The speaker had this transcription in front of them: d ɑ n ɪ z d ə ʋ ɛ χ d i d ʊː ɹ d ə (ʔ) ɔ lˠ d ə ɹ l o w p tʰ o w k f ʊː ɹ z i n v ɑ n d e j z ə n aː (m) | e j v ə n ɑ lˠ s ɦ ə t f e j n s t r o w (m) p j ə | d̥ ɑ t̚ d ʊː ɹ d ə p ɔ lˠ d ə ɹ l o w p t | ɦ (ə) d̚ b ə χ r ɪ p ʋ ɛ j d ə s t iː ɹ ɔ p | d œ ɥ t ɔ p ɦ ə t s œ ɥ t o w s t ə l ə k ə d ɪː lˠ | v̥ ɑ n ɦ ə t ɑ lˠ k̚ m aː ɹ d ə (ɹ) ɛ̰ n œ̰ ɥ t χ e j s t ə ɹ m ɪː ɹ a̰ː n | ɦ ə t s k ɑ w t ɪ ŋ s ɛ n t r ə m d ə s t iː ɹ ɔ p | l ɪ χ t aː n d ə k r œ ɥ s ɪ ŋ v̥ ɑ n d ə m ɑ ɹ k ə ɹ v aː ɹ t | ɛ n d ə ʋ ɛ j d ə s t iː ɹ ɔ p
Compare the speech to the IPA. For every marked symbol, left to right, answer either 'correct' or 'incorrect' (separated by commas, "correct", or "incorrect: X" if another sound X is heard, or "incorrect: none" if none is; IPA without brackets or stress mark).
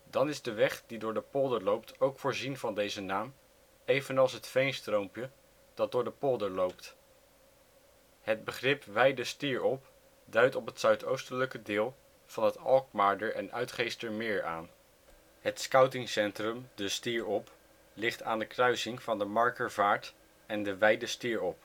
incorrect: p, correct, correct, correct, correct